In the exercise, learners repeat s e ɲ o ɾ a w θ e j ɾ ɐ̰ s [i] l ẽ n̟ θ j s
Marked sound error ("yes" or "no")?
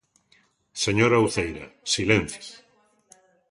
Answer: no